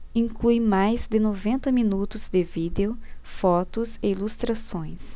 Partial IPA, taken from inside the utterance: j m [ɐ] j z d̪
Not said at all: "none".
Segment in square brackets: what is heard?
a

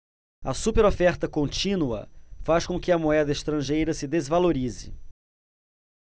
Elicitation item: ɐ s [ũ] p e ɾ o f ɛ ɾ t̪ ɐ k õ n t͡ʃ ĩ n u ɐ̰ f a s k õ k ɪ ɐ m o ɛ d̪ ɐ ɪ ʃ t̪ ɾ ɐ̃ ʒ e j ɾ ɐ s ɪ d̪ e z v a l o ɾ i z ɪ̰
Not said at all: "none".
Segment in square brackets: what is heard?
u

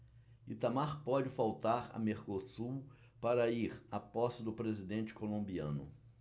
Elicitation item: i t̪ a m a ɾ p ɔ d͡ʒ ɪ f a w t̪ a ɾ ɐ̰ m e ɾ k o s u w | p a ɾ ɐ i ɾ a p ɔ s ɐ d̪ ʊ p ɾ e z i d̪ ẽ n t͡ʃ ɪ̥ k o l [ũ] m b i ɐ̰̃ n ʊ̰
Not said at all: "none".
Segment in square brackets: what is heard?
õ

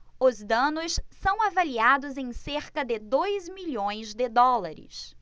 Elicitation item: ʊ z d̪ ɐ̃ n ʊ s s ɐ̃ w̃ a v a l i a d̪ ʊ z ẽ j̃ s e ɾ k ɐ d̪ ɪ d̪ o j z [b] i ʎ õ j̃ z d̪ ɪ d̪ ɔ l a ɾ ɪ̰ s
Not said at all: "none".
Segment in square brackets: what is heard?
m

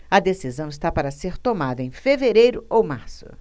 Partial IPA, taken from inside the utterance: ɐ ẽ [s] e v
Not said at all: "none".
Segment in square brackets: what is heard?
f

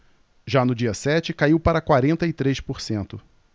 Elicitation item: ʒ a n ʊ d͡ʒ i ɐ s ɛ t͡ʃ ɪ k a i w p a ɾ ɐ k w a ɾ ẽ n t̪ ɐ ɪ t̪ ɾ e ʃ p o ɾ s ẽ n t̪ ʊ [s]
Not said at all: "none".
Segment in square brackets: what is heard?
none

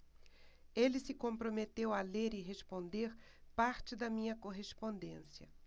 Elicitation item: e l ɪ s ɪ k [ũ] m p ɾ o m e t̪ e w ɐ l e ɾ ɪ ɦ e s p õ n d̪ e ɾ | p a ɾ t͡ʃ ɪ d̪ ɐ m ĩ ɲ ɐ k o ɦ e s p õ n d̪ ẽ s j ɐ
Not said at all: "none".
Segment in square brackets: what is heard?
õ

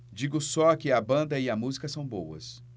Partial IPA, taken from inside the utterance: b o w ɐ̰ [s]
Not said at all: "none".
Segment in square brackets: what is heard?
s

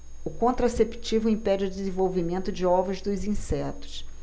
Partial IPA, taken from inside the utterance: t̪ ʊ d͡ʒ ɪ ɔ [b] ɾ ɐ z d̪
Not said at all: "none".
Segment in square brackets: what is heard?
v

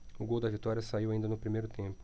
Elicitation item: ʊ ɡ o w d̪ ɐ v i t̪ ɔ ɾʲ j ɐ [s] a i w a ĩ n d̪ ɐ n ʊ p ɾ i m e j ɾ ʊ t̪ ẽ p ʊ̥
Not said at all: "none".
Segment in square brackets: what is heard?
s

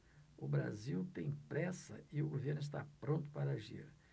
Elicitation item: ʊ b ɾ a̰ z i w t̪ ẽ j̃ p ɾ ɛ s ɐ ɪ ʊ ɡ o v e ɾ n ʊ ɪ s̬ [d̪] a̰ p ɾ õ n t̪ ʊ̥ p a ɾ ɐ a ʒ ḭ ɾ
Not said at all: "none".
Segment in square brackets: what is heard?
t̪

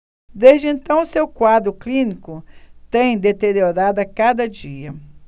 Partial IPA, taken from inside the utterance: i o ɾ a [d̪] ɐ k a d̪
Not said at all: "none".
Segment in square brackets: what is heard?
d̪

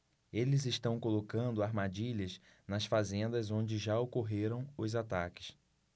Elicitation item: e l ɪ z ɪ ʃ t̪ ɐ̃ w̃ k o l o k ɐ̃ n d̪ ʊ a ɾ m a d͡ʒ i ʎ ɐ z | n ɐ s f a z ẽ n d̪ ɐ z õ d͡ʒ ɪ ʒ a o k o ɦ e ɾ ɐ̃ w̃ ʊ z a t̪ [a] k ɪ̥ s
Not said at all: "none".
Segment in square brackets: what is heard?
a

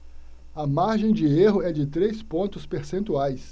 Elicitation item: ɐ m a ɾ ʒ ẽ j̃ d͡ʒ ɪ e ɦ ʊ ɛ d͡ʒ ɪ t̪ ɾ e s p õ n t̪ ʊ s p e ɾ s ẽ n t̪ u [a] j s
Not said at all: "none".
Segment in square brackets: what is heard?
a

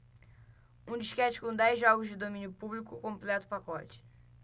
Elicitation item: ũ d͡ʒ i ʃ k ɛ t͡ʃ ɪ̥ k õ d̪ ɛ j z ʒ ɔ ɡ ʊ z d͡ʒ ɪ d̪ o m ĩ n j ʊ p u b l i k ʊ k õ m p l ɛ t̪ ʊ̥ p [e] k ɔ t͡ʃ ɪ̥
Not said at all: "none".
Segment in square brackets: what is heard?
a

